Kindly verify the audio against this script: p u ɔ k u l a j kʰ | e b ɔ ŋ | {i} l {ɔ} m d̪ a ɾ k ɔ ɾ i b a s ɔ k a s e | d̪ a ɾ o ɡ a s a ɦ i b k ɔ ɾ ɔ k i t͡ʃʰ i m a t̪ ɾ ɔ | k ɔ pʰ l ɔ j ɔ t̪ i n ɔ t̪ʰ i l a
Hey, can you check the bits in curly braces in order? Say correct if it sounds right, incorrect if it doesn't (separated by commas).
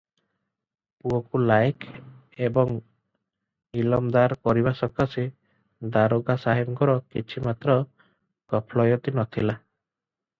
correct, correct